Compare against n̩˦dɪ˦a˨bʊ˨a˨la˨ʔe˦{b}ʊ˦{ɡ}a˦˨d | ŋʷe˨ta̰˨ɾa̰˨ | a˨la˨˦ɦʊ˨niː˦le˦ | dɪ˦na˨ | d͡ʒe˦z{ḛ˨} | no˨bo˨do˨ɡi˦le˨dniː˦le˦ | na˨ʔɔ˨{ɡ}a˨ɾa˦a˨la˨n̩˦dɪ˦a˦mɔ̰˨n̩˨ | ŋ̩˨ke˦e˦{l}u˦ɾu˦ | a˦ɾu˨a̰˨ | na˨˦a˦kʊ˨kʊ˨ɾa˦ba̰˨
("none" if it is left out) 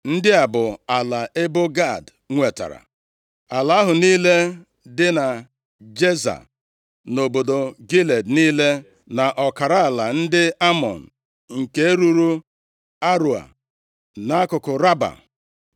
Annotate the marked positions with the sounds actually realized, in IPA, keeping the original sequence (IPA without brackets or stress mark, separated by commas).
b, ɡ, a̰˨, k, ɾ